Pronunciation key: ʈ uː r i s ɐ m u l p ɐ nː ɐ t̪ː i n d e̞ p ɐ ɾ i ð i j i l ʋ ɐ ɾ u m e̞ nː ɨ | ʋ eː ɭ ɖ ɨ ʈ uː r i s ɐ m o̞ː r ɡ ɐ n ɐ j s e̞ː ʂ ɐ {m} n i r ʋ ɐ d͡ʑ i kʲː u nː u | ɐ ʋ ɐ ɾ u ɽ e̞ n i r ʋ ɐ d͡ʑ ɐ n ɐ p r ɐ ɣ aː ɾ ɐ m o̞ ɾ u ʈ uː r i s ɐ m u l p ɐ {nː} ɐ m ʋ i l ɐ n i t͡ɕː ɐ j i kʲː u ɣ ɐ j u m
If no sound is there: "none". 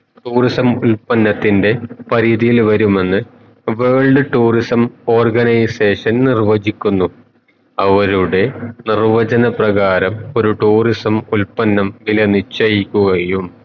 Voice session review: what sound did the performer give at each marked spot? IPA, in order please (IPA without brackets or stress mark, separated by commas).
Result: n, nː